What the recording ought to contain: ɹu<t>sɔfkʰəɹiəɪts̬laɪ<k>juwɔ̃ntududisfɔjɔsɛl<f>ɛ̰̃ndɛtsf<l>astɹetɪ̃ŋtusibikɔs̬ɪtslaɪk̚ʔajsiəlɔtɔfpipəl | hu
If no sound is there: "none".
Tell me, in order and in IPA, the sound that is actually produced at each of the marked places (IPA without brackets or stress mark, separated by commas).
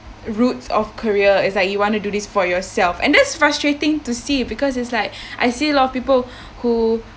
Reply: t, k, f, ɹ